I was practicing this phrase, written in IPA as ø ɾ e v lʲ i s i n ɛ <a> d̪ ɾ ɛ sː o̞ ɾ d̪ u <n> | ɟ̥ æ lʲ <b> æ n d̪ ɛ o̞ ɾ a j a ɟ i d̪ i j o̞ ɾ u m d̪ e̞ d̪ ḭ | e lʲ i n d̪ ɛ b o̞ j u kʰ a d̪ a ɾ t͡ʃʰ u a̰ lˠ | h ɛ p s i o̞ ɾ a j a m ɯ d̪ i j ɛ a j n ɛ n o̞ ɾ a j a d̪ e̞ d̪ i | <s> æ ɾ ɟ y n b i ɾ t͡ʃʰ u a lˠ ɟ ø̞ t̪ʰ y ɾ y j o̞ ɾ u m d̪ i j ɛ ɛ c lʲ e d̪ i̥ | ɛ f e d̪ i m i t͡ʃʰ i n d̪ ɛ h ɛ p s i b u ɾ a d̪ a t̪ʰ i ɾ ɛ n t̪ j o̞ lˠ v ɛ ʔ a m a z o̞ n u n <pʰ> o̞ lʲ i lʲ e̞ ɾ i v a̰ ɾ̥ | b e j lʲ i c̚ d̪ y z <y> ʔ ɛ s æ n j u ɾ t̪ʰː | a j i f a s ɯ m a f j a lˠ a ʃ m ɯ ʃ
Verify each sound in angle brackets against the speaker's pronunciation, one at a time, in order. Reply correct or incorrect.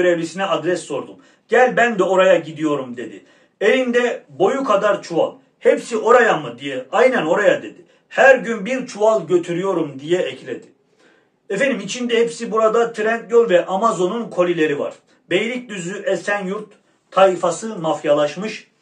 correct, incorrect, correct, incorrect, incorrect, correct

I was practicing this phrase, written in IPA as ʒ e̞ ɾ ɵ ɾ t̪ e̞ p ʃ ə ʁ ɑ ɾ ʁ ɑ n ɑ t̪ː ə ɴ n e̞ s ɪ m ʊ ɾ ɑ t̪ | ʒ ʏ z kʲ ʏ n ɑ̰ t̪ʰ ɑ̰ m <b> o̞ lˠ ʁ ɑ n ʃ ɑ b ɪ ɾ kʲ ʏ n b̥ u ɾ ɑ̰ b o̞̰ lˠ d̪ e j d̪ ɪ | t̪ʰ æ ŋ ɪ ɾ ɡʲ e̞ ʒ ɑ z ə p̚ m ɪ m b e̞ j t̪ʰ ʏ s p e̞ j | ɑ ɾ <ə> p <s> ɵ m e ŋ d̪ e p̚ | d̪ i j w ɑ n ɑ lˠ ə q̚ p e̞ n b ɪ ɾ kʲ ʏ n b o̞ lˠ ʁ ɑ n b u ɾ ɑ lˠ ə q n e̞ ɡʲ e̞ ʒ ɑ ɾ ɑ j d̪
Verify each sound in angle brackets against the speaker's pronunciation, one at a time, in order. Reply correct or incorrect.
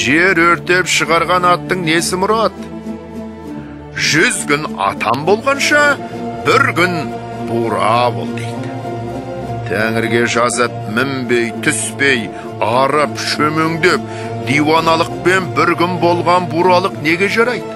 correct, correct, incorrect

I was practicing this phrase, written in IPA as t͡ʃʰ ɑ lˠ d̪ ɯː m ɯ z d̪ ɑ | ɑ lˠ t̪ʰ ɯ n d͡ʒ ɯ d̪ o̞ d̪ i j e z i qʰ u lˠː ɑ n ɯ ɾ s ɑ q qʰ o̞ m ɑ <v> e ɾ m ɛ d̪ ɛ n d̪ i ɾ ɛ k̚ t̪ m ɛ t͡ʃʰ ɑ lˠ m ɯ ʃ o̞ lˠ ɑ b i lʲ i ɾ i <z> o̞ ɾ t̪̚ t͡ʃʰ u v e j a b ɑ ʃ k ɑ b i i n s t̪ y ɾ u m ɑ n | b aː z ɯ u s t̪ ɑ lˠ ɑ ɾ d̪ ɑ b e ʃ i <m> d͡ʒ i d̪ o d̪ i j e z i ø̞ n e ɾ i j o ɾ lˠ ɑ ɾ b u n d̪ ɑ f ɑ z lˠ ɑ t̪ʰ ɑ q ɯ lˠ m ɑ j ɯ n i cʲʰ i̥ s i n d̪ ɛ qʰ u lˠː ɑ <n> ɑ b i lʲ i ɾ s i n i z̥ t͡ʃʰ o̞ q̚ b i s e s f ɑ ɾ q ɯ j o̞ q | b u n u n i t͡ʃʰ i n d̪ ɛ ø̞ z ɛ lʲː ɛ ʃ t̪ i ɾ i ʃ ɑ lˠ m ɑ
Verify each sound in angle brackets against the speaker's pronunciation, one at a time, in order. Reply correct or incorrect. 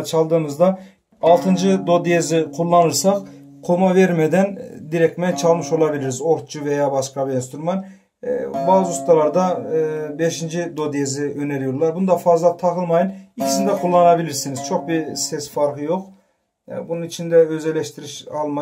correct, correct, incorrect, correct

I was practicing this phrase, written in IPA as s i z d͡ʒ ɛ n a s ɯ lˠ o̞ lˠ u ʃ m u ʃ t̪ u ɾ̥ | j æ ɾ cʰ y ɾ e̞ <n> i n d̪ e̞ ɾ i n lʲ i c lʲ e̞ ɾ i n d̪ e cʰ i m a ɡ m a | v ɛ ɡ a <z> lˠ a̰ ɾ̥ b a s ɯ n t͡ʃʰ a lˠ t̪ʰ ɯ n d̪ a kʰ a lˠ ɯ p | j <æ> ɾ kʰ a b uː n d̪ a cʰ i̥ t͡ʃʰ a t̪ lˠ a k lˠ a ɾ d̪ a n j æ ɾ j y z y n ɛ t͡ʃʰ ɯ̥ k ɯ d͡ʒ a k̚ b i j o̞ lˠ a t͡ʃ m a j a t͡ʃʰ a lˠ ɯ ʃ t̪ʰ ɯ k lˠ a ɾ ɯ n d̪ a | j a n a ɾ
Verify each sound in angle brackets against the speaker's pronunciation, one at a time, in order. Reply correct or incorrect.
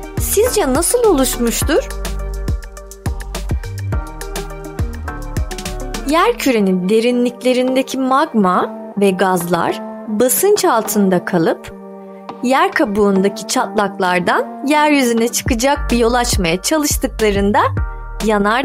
correct, correct, correct

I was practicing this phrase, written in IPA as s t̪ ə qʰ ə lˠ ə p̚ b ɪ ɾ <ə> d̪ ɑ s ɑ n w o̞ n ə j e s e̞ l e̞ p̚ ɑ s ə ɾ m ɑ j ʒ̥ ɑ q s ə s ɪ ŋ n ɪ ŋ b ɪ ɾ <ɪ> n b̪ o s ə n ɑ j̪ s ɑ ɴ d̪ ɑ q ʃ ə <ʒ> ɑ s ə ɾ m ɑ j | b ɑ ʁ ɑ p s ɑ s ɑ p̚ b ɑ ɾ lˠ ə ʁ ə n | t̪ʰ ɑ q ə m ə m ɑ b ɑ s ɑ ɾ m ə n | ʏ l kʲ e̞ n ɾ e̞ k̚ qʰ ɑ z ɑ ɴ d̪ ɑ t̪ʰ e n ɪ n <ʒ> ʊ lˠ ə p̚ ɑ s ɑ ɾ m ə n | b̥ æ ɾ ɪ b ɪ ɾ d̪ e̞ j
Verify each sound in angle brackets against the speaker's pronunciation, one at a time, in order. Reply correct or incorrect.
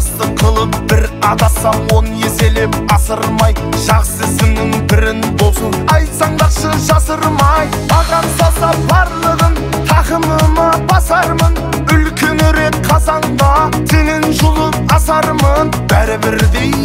incorrect, correct, correct, correct

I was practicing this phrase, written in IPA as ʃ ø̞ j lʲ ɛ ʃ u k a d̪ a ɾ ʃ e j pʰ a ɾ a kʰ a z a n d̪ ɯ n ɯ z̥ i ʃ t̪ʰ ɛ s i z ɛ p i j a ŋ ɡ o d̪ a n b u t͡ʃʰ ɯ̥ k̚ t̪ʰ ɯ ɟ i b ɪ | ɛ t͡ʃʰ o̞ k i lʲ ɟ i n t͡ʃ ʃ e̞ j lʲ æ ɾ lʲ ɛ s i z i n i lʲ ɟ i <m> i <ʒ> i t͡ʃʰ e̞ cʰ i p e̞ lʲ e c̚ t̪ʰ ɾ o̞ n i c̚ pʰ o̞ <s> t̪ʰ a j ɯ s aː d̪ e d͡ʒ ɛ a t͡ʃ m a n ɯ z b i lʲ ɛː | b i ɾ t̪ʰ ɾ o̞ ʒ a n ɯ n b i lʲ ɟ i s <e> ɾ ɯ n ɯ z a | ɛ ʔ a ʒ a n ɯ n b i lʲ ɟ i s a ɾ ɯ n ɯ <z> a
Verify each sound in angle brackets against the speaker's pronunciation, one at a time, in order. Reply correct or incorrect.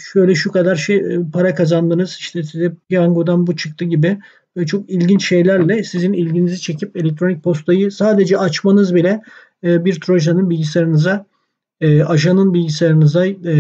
incorrect, incorrect, correct, incorrect, correct

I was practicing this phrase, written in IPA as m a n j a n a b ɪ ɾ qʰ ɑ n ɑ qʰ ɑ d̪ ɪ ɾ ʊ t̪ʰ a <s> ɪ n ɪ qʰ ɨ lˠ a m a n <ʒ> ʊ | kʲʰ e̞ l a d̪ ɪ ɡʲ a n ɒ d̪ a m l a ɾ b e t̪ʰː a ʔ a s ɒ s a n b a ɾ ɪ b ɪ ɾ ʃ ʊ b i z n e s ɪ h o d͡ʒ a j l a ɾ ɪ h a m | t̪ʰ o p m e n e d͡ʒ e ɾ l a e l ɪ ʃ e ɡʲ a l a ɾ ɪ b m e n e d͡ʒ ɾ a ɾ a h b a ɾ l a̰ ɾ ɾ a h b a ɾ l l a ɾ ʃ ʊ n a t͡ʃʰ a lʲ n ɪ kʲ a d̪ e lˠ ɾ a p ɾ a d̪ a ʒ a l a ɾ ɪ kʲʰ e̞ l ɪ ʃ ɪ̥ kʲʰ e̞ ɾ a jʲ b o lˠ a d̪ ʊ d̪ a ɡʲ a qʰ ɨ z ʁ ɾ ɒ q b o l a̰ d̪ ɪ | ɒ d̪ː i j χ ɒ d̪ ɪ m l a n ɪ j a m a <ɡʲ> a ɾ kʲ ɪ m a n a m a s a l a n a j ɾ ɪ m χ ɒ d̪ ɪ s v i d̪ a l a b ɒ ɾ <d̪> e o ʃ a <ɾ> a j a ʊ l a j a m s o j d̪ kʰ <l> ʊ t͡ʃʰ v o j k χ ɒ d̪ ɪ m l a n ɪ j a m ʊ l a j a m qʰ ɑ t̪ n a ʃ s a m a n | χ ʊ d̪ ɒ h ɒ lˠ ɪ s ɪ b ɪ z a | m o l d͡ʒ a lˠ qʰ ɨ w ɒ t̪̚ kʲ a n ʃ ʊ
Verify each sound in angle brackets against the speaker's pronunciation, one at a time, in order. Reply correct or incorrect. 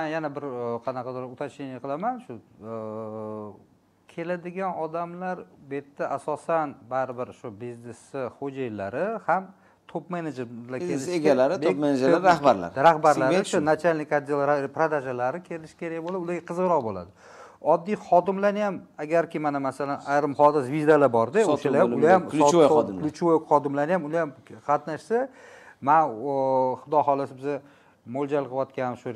incorrect, incorrect, correct, correct, incorrect, correct

